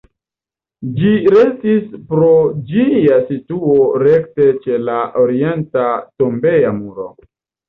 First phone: d͡ʒ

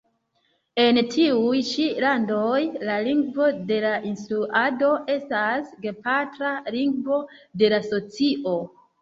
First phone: e̞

